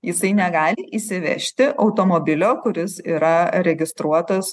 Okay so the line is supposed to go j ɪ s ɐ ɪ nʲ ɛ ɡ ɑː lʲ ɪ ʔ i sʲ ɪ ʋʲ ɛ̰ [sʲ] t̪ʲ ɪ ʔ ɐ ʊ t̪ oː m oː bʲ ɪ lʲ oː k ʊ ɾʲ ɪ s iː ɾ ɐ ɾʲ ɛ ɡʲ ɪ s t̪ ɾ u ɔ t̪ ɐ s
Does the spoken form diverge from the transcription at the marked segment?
yes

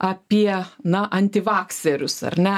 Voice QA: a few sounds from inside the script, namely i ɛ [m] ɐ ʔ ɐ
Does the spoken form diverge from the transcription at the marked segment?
yes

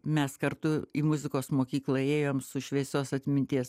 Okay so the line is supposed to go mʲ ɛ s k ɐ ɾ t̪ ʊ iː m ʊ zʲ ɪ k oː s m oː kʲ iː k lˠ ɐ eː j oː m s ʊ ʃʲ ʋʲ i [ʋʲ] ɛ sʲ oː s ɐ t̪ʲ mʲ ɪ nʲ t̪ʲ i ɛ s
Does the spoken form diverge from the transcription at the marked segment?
yes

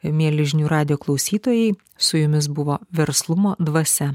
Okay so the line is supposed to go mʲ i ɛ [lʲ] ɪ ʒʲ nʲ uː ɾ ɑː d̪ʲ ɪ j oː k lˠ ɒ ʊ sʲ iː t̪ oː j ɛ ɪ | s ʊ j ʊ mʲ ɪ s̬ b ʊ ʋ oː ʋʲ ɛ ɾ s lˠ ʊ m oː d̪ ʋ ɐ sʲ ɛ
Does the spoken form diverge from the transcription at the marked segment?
no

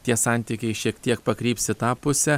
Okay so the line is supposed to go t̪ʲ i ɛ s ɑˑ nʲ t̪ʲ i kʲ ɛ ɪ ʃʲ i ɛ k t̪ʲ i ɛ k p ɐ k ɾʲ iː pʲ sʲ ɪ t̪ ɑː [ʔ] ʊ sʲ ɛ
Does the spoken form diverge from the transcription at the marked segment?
yes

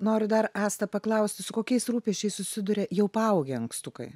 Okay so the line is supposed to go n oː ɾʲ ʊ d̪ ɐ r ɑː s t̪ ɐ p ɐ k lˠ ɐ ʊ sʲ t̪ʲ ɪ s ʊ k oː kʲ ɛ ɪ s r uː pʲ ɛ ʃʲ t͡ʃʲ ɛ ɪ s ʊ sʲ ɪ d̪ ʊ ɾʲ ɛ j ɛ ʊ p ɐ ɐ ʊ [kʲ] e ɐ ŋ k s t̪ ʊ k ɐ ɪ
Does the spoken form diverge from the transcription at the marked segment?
yes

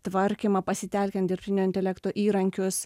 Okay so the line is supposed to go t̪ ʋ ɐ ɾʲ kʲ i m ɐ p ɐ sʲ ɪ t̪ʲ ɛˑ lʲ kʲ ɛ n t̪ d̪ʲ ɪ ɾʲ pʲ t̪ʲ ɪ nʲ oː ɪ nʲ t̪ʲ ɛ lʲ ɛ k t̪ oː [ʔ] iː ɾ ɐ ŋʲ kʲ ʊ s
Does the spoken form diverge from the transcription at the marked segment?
no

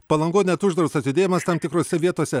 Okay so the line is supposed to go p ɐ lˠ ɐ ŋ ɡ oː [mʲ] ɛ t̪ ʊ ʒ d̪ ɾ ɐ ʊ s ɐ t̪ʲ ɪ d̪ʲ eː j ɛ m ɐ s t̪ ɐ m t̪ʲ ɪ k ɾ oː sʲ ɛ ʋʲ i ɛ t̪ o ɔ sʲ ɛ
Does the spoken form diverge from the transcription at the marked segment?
yes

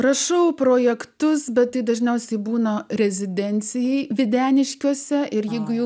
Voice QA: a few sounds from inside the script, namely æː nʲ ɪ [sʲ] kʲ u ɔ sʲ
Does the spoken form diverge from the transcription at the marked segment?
yes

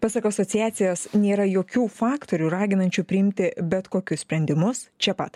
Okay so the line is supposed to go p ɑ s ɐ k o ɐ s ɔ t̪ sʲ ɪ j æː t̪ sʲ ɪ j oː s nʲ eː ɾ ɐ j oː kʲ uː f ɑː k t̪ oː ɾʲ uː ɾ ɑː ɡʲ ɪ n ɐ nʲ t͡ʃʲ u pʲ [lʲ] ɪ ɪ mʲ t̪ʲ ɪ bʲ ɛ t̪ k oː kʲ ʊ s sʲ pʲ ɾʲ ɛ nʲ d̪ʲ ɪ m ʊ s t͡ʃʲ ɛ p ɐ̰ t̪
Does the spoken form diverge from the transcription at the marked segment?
yes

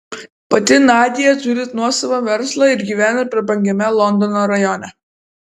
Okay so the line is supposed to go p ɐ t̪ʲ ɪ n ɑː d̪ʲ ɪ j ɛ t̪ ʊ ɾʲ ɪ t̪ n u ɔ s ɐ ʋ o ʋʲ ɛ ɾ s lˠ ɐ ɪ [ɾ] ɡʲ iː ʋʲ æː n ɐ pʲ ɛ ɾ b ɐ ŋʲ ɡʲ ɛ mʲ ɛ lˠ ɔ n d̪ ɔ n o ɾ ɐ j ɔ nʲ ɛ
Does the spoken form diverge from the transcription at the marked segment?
no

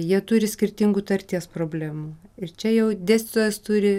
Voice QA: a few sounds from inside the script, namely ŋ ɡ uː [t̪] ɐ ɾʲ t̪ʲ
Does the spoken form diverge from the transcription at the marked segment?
no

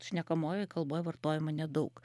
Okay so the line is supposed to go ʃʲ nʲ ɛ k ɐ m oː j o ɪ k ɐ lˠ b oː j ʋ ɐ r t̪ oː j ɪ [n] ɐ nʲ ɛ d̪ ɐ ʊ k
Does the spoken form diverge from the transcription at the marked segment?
yes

